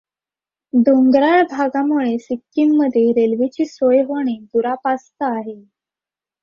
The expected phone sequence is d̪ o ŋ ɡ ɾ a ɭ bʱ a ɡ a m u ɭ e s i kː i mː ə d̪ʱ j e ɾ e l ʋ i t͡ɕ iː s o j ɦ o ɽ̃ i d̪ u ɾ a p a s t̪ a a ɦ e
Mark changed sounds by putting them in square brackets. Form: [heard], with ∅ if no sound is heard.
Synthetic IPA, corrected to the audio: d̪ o ŋ ɡ ɾ a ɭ bʱ a ɡ a m u ɭ e s i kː i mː ə d̪ʱ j e ɾ e l ʋ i t͡ɕ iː s o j ɦ o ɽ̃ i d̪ u ɾ a p a s t̪ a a ɦ e